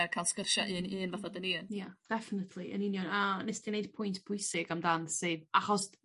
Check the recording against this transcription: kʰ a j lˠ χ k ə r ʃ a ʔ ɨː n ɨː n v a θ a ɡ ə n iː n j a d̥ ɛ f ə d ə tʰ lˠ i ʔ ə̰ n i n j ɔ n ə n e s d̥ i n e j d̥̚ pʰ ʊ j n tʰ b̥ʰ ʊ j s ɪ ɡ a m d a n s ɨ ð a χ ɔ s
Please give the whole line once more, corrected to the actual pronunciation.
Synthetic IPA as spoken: kʰ a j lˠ s k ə r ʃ a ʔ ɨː n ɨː n v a θ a d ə n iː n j a d̥ ɛ f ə n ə tʰ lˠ i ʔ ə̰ n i n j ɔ n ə n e s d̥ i n e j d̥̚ pʰ ʊ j n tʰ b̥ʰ ʊ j s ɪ ɡ a m d a n s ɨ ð a χ ɔ s

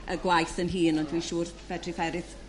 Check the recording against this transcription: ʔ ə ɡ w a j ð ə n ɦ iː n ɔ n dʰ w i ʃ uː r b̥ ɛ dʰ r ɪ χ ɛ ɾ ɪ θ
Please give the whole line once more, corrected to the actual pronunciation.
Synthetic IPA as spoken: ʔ ə ɡ w a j θ ə n ɦ iː n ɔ n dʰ w i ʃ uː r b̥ ɛ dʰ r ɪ f ɛ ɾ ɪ θ

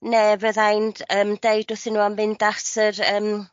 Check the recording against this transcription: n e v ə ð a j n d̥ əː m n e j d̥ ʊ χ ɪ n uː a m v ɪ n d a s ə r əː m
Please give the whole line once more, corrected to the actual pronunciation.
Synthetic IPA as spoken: n e v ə ð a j n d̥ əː m d e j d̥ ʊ θ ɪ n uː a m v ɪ n d a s ə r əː m

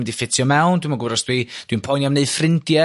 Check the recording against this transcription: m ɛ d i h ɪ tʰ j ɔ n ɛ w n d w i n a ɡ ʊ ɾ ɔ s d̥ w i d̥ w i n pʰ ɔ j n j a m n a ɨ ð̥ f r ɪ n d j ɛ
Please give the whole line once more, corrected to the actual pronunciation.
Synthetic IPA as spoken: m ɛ d i f ɪ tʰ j ɔ m ɛ w n d w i m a ɡ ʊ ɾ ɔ s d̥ w i d̥ w i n pʰ ɔ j n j a m n e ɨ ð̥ f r ɪ n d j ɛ

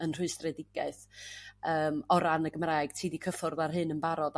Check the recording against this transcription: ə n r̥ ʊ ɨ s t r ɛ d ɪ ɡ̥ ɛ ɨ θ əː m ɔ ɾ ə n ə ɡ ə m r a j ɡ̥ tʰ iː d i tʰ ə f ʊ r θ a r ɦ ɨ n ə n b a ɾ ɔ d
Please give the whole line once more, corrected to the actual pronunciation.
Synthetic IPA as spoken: ə n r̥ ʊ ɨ s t r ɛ d ɪ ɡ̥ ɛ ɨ θ əː m ɔ ɾ a n ə ɡ ə m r a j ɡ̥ tʰ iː d i kʰ ə f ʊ r ð a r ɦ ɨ n ə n b a ɾ ɔ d

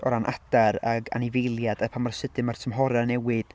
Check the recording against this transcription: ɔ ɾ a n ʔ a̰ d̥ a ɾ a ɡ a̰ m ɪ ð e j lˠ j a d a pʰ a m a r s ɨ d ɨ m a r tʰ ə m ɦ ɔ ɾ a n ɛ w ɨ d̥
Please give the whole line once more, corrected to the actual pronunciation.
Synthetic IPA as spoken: ɔ ɾ a n ʔ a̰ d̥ a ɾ a ɡ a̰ n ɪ v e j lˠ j a d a pʰ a m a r s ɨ d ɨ m a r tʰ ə m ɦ ɔ ɾ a n ɛ w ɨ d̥

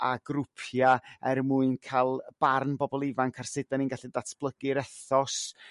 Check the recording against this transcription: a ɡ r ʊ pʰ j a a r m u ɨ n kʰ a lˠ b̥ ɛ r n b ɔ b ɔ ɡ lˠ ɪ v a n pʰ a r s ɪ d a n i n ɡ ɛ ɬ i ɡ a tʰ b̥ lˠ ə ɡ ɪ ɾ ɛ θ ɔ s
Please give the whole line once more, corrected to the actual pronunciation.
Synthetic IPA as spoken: a ɡ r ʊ pʰ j a ɛ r m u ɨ n kʰ a lˠ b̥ a r n b ɔ b ɔ lˠ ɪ v a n kʰ a r s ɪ d a n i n ɡ a ɬ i d a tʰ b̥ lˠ ə ɡ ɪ ɾ ɛ θ ɔ s

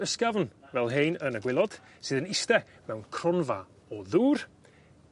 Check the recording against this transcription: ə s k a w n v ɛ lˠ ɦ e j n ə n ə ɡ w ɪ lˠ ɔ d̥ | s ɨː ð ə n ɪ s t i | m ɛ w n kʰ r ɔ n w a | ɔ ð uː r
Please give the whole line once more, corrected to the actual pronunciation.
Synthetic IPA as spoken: ə s k a v n v ɛ lˠ ɦ e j n ə n ə ɡ w ɪ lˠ ɔ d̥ | s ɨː ð ə n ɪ s t ɛ | m ɛ w n kʰ r ɔ n v a | ɔ ð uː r

